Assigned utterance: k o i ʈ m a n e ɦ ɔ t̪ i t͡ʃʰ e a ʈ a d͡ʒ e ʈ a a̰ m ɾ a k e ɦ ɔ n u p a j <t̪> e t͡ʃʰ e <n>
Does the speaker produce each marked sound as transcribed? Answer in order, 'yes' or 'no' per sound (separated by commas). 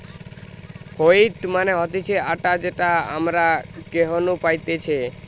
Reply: yes, no